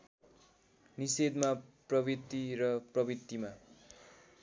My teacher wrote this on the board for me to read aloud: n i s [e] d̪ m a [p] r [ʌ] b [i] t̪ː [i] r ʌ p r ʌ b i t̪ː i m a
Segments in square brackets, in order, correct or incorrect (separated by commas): correct, correct, correct, correct, correct